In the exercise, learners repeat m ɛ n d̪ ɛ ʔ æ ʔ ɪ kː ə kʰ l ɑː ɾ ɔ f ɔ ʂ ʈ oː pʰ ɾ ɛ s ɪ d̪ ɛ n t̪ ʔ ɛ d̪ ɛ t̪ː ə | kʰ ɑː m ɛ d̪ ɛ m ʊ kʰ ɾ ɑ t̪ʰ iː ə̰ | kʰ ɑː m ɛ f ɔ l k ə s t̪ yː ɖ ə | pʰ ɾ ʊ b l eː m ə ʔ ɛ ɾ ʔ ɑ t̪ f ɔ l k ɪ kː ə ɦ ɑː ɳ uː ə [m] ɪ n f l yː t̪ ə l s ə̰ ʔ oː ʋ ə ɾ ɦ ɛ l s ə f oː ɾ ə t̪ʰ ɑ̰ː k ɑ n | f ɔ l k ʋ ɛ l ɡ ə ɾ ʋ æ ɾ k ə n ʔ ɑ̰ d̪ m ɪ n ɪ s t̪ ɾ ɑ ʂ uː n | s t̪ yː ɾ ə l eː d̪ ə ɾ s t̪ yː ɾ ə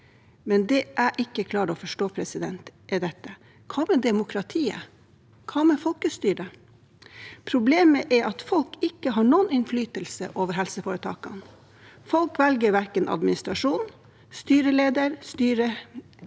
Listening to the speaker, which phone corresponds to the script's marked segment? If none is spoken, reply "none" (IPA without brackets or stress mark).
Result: n